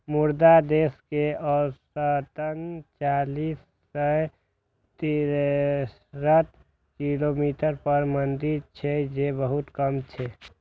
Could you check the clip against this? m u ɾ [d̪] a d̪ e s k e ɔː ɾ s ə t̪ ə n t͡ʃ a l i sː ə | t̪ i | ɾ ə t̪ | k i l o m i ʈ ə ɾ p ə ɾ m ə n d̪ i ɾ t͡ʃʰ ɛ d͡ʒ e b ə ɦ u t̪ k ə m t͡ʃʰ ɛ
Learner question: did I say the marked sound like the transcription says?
yes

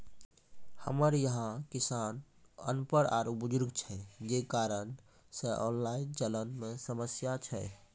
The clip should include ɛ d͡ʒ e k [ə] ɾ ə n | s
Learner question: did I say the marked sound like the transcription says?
no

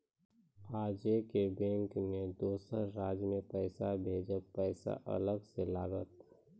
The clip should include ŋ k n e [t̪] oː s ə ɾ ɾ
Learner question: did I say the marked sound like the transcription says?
no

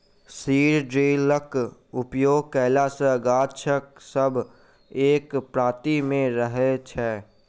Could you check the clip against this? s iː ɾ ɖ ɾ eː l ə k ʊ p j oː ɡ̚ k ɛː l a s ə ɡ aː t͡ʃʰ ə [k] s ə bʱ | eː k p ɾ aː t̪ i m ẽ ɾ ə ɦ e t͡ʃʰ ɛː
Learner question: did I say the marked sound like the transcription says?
yes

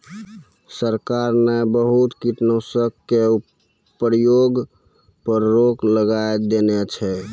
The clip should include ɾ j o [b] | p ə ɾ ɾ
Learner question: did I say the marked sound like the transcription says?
no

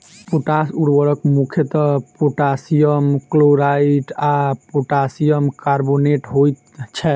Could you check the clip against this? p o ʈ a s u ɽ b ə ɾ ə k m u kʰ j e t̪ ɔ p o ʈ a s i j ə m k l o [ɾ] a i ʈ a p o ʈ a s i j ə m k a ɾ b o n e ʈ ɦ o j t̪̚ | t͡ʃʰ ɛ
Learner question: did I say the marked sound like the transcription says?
yes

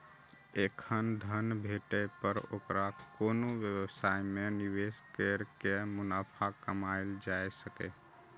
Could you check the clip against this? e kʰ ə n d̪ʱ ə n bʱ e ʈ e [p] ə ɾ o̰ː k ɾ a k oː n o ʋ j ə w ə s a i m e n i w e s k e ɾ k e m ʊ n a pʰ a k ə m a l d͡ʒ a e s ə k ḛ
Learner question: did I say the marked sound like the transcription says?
yes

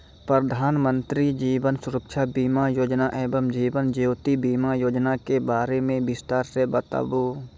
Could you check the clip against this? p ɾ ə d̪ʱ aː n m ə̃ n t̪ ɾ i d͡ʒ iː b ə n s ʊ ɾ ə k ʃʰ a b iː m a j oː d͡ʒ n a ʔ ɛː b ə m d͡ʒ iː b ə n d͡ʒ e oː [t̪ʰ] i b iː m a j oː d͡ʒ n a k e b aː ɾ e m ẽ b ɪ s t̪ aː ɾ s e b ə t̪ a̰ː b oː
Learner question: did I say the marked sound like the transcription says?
no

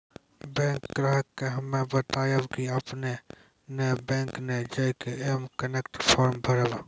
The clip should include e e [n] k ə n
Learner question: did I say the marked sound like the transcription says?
no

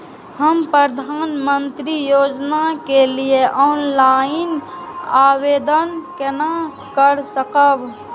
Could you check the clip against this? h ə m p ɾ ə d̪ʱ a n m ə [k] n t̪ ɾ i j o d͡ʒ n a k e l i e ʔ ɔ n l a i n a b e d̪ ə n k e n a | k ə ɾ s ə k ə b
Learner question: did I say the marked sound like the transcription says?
no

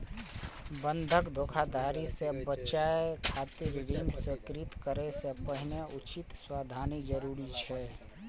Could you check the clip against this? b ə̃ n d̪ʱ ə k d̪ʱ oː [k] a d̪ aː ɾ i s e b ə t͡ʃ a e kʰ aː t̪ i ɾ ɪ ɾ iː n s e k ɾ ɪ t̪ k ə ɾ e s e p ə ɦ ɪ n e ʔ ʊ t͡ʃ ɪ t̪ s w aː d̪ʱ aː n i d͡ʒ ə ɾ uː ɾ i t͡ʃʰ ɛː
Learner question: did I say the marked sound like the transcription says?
no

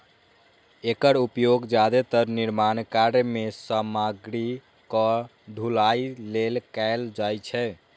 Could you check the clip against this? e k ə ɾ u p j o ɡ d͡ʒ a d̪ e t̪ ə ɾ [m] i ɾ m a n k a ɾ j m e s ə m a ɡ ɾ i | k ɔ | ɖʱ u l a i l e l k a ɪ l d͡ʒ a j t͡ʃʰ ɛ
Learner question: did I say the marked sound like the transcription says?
no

